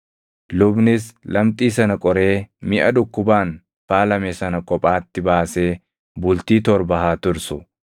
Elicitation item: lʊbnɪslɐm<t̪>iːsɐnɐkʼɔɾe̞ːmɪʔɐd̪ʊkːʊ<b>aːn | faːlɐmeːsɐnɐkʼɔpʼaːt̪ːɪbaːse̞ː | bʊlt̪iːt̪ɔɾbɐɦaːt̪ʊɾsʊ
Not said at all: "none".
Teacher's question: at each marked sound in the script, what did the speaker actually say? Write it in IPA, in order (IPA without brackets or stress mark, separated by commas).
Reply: t̪ʼ, b